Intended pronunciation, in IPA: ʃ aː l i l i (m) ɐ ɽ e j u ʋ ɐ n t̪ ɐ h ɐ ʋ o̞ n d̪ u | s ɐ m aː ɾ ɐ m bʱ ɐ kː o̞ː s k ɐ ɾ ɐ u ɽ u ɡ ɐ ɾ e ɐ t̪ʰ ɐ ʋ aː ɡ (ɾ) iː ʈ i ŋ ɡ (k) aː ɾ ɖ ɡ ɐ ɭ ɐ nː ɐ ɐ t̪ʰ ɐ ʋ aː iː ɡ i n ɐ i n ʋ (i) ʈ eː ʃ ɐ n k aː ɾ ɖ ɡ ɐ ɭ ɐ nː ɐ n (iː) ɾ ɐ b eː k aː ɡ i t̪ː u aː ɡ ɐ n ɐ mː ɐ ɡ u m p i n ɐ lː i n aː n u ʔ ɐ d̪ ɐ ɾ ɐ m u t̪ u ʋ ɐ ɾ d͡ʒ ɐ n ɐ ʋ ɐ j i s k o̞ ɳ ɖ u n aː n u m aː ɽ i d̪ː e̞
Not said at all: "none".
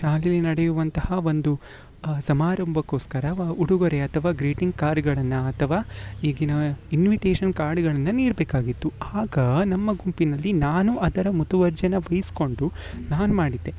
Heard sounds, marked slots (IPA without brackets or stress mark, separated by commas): n, ɾ, k, i, iː